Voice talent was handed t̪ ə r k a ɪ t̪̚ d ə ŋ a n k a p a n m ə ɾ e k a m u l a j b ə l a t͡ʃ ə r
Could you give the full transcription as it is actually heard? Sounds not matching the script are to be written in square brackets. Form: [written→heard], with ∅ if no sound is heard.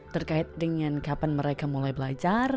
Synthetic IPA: t̪ ə r k a ɪ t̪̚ d ə ŋ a n k a p a n m ə ɾ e k a m u l a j b ə l a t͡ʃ [ə→a] r